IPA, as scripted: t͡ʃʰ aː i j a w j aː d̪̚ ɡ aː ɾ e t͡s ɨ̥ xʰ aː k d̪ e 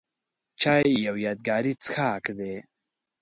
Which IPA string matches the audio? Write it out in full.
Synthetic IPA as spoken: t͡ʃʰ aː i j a w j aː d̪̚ ɡ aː ɾ i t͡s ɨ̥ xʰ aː k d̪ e